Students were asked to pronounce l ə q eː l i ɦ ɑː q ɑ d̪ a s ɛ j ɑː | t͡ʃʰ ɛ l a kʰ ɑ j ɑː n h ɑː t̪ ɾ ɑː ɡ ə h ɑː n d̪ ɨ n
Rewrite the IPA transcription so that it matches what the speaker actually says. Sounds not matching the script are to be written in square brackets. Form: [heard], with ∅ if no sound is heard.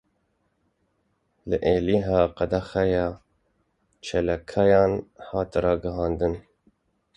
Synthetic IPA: l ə [ʔ] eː l i ɦ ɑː q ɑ d̪ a [x] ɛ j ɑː | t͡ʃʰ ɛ l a kʰ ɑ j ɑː n h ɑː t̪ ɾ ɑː ɡ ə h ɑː n d̪ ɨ n